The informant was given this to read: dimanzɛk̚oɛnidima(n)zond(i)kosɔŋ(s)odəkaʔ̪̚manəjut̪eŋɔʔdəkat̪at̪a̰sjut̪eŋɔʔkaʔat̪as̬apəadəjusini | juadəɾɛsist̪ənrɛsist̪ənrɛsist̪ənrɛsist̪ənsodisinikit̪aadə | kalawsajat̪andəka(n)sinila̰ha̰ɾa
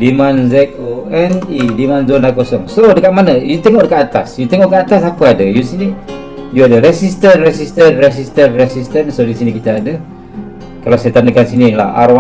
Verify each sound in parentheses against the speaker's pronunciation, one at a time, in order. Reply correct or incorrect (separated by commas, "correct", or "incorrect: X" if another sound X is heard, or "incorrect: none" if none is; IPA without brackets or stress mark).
correct, incorrect: a, correct, correct